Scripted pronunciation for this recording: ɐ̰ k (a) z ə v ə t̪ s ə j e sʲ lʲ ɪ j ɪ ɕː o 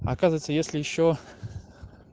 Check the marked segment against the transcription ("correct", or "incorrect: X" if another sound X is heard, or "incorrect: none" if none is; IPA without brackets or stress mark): correct